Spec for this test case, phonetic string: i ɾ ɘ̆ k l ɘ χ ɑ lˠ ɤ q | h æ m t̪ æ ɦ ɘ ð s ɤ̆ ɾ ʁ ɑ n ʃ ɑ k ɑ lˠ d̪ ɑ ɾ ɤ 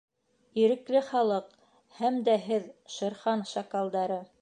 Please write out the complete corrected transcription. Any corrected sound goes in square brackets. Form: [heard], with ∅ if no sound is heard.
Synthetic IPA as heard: i ɾ ɘ̆ k l ɘ χ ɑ lˠ ɤ q | h æ m [d̪] æ ɦ ɘ ð [ʃ] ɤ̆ ɾ [χ] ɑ n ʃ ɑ k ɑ lˠ d̪ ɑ ɾ ɤ